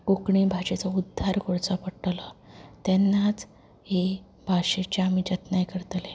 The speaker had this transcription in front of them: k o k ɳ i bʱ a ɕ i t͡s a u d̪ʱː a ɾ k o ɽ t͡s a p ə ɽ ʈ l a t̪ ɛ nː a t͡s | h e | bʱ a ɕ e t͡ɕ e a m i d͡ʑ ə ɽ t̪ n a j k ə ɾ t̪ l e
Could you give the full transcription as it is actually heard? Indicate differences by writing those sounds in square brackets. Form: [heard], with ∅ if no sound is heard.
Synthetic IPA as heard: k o k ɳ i bʱ a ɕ [e] t͡s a u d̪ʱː a ɾ k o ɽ t͡s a p ə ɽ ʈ l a t̪ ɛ nː a t͡s | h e | bʱ a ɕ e t͡ɕ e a m i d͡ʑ ə [∅] t̪ n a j k ə ɾ t̪ l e

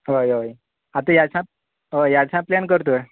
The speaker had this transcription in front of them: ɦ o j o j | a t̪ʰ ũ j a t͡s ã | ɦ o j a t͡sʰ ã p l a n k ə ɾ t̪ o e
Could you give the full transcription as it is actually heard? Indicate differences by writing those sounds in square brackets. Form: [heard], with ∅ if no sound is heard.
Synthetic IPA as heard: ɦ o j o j | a [t̪] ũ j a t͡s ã | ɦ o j a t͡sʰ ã p l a n k ə ɾ t̪ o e

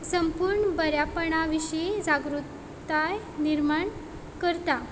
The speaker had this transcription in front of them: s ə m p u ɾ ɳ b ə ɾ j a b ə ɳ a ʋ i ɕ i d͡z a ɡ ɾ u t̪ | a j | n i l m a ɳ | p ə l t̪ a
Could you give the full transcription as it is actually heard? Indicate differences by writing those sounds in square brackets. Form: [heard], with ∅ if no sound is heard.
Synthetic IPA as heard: s ə m p u ɾ ɳ b ə ɾ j a [p] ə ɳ a ʋ i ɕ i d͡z a ɡ ɾ u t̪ | a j | n i [ɾ] m a ɳ | [k] ə [ɾ] t̪ a

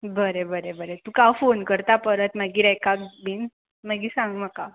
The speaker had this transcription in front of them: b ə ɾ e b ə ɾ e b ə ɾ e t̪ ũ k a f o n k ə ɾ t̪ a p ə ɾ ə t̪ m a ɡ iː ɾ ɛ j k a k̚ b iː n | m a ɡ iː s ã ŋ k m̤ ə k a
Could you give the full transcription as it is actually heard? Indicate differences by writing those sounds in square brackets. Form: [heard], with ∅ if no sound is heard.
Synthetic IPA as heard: b ə ɾ e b ə ɾ e b ə ɾ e t̪ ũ k a f o n k ə ɾ t̪ a p ə ɾ ə t̪ m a ɡ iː ɾ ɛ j k a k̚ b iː n | m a ɡ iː s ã ŋ [ɡ] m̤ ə k a

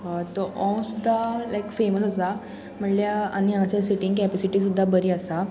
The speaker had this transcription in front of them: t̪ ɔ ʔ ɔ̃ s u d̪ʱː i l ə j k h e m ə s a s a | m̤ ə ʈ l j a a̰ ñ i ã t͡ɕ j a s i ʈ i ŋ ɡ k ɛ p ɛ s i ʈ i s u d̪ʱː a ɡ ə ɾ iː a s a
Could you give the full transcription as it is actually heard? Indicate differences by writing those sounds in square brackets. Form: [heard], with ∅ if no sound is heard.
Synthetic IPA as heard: t̪ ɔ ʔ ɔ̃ s u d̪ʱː [a] l [a] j k [f] e m ə s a s a | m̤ ə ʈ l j a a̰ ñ i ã t͡ɕ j a s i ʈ i ŋ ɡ k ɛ p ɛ s i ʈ i s u d̪ʱː a [b] ə ɾ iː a s a

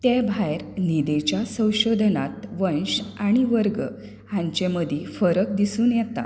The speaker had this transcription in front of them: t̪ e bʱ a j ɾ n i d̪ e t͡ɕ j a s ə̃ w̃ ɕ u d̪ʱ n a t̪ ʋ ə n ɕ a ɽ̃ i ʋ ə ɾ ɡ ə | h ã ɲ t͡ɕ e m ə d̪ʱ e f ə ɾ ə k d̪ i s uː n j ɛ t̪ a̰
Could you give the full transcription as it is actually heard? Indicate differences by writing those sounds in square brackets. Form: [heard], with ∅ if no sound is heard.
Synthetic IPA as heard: t̪ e bʱ a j ɾ n i d̪ e t͡ɕ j a s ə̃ w̃ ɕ [o] d̪ʱ n a t̪ ʋ ə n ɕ a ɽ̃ i ʋ ə ɾ ɡ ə | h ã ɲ t͡ɕ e m ə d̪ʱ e f ə ɾ ə k d̪ i s uː n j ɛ t̪ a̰

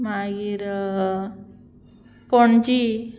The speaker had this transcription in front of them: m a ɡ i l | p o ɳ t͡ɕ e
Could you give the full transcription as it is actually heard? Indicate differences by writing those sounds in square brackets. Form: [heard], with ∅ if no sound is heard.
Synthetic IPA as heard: m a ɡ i [ɾ] | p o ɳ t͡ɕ [i]

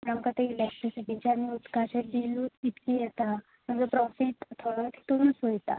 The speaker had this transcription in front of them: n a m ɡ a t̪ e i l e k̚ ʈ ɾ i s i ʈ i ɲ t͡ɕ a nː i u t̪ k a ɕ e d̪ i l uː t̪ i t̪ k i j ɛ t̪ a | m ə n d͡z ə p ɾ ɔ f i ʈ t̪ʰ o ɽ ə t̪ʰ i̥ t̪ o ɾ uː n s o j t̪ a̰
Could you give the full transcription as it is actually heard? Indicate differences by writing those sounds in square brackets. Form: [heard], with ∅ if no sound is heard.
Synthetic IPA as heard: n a m [k] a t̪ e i l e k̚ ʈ ɾ i s i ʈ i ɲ t͡ɕ a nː i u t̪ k a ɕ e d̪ i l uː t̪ i t̪ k i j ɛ t̪ a | m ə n d͡z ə p ɾ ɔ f i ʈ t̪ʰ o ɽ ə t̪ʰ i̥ t̪ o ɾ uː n s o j t̪ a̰

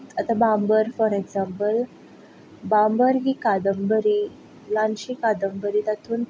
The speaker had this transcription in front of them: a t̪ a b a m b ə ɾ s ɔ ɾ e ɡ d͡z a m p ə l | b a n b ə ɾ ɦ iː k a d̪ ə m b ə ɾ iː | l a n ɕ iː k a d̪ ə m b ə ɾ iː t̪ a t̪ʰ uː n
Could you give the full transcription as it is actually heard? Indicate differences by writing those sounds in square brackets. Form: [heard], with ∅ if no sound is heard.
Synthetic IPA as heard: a t̪ a b a m b ə ɾ [f] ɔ ɾ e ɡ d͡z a m p ə l | b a [m] b ə ɾ ɦ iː k a d̪ ə m b ə ɾ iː | l a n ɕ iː k a d̪ ə m b ə ɾ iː t̪ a t̪ʰ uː n

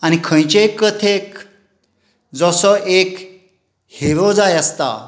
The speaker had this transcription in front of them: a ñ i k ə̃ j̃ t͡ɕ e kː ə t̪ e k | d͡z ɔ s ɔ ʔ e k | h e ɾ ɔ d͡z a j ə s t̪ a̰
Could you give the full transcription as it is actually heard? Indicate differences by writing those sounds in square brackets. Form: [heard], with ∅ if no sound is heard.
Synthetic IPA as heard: a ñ i [kʰ] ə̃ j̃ t͡ɕ e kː ə [t̪ʰ] e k | d͡z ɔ s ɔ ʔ e k | h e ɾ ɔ d͡z a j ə s t̪ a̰

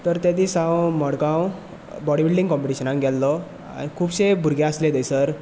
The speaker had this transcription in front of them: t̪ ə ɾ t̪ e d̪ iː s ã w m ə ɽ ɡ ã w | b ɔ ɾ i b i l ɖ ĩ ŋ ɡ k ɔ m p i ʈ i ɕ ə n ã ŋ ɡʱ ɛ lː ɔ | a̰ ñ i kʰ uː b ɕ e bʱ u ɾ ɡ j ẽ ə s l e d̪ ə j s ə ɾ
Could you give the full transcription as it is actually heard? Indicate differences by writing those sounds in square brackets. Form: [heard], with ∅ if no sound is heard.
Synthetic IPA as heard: t̪ ə ɾ t̪ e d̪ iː s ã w m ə ɽ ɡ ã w | b ɔ [ɽ] i b i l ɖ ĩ ŋ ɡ k ɔ m p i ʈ i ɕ ə n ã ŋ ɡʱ ɛ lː ɔ | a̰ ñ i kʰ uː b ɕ e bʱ u ɾ ɡ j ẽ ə s l e d̪ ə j s ə ɾ

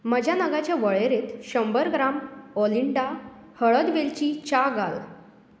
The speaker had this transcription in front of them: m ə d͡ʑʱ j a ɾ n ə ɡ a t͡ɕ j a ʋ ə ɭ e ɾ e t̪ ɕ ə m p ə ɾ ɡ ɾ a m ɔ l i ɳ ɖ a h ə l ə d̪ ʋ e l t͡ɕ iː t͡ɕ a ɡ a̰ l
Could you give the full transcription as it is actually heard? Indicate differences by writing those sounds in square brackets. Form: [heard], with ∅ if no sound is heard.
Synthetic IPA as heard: m ə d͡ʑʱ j a [∅] n ə ɡ a t͡ɕ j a ʋ ə ɭ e ɾ e t̪ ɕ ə m [b] ə ɾ ɡ ɾ a m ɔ l i ɳ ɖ a h ə [ɭ] ə d̪ ʋ e l t͡ɕ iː t͡ɕ a ɡ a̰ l

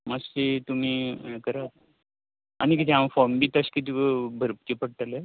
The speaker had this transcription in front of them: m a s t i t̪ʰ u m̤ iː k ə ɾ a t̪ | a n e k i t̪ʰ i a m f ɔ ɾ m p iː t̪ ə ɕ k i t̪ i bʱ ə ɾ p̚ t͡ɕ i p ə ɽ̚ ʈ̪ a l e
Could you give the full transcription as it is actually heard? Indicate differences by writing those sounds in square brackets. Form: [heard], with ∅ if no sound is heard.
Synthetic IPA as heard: m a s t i [t̪] u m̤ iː k ə ɾ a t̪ | a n [i] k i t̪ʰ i a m f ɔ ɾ m [b] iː t̪ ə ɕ k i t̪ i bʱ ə ɾ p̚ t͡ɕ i p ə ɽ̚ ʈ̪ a l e

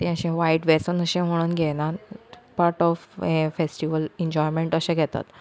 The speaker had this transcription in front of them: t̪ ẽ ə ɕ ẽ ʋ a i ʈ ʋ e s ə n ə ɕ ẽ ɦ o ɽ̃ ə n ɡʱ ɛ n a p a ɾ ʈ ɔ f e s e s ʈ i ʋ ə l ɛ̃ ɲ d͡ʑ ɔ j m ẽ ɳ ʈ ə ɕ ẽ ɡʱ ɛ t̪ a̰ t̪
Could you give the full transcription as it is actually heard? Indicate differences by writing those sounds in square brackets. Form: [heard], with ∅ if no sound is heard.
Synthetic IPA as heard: t̪ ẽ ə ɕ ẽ ʋ a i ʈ ʋ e s ə n ə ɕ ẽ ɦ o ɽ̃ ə n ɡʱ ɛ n a p a ɾ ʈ ɔ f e [f] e s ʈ i ʋ ə l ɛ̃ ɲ d͡ʑ ɔ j m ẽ ɳ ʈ ə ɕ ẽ ɡʱ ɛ t̪ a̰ t̪

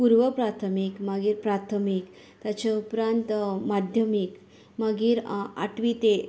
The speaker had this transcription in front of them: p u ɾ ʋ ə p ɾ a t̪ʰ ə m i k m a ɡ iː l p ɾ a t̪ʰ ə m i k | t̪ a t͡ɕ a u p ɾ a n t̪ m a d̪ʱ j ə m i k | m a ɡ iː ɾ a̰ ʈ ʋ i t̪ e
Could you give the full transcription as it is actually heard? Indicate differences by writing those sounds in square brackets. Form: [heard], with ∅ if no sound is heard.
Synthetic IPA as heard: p u ɾ ʋ ə p ɾ a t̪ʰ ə m i k m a ɡ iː [ɾ] p ɾ a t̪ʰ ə m i k | t̪ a t͡ɕ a u p ɾ a n t̪ m a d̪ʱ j ə m i k | m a ɡ iː ɾ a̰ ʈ ʋ i t̪ e

